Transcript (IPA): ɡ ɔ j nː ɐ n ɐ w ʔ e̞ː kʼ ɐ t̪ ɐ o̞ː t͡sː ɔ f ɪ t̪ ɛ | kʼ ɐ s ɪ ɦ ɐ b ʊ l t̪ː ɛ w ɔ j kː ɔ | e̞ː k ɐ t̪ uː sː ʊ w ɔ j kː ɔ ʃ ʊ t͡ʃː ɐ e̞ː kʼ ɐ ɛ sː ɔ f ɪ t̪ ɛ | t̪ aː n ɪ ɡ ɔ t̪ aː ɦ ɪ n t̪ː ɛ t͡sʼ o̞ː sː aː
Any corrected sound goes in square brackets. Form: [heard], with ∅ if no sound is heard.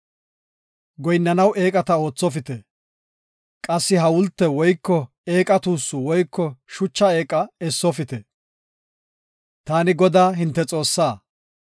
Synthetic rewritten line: ɡ ɔ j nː ɐ n ɐ w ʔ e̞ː kʼ ɐ t̪ ɐ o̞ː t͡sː ɔ f ɪ t̪ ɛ | kʼ ɐ [sː] ɪ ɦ ɐ [w] ʊ l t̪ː ɛ w ɔ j kː ɔ | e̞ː [kʼ] ɐ t̪ uː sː ʊ w ɔ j kː ɔ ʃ ʊ t͡ʃː ɐ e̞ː kʼ ɐ ɛ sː ɔ f ɪ t̪ ɛ | t̪ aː n ɪ ɡ ɔ [d̪] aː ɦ ɪ n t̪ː ɛ t͡sʼ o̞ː sː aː